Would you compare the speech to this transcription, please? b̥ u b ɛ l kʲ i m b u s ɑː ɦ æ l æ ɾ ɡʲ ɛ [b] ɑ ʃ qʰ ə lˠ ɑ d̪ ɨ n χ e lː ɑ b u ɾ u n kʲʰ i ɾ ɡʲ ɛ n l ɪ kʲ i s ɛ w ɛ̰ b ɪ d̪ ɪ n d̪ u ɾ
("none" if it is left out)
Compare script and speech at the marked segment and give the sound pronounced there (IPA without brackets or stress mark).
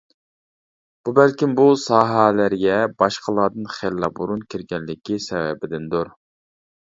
b